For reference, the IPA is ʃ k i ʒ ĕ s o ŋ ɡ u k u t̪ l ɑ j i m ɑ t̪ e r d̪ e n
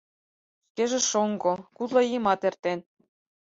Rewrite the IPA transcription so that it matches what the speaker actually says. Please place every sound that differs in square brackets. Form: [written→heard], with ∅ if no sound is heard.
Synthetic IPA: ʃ k [i→e] ʒ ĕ [s→ʃ] o ŋ ɡ [u→o] k u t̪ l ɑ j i m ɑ t̪ e r [d̪→t̪] e n

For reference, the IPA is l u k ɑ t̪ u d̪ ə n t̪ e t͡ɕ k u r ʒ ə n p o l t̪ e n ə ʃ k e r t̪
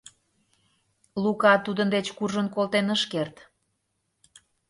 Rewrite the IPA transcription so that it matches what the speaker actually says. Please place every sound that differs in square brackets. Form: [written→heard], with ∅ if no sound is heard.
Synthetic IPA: l u k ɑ t̪ u d̪ ə n [t̪→d̪] e t͡ɕ k u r ʒ ə n [p→k] o l t̪ e n ə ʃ k e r t̪

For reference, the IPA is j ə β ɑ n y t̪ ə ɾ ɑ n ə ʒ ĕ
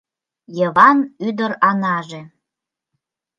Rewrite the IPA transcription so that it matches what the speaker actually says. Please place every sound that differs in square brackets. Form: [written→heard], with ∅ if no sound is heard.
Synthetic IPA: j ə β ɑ n y [t̪→d̪] ə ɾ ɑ n [ə→ɑ] ʒ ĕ

